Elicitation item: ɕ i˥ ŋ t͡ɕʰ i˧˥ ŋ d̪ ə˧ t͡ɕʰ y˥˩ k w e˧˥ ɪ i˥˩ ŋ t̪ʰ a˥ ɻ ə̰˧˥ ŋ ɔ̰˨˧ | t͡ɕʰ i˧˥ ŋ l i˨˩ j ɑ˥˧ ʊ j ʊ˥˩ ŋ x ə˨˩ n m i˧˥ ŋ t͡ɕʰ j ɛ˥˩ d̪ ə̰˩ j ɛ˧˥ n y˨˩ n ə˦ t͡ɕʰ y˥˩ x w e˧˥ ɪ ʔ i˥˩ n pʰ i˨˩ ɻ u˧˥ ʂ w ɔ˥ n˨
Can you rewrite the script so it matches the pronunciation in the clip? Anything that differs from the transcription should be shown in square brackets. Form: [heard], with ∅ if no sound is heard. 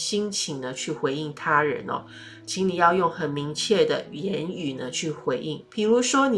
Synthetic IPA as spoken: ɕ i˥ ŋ t͡ɕʰ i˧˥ ŋ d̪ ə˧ t͡ɕʰ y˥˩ [x] w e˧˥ ɪ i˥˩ ŋ t̪ʰ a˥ ɻ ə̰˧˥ [n] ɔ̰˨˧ | t͡ɕʰ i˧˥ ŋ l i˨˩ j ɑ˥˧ ʊ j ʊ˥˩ ŋ x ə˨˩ n m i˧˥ ŋ t͡ɕʰ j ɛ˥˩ d̪ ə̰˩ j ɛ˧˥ n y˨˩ n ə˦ t͡ɕʰ y˥˩ x w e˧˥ ɪ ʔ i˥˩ [ŋ] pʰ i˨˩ ɻ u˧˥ ʂ w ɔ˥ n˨